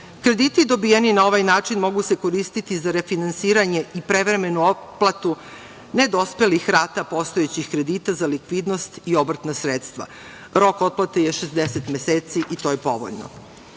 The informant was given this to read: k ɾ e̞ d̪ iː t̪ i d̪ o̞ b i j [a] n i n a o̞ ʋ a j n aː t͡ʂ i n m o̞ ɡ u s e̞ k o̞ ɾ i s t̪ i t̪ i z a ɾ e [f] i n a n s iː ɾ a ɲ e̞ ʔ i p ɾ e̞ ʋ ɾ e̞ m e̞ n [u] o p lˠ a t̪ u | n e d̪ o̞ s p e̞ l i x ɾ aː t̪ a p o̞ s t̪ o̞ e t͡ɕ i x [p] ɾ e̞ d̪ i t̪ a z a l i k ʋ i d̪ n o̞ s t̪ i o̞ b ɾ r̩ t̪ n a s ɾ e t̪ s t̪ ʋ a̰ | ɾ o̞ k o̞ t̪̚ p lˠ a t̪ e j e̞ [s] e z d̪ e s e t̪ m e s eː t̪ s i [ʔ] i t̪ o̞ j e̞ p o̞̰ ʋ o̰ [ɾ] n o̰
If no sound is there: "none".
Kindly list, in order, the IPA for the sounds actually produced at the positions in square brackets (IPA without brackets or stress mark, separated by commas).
e, f, u, k, ʃ, ʔ, ʎ